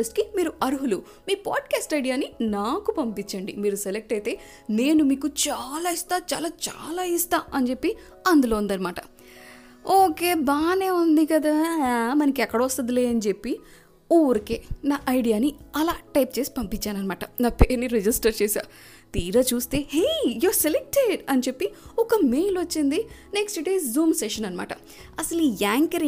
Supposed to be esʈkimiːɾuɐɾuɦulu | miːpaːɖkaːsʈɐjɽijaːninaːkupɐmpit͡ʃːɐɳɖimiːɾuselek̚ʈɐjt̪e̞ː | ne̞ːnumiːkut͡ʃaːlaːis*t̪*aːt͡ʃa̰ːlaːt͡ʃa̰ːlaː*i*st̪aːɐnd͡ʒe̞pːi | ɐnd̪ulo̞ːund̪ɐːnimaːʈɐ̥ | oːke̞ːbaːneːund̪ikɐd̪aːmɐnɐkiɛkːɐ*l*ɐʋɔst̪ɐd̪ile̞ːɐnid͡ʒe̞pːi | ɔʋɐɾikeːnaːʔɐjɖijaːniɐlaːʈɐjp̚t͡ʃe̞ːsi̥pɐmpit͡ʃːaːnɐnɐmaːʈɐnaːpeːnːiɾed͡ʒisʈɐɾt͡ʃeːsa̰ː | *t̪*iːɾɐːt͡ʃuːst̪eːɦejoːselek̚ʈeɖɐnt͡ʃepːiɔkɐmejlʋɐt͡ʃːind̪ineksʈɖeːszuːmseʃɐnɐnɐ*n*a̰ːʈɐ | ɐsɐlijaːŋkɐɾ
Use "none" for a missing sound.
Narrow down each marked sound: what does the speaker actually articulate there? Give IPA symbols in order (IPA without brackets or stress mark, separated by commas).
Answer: t̪, i, ɽ, t̪, m